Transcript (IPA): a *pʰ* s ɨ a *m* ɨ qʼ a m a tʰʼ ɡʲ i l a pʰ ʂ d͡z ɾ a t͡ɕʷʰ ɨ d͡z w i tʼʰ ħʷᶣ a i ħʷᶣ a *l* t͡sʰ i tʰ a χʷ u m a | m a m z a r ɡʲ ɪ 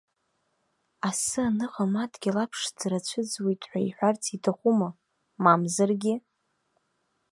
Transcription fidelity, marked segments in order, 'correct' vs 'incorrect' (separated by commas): incorrect, incorrect, incorrect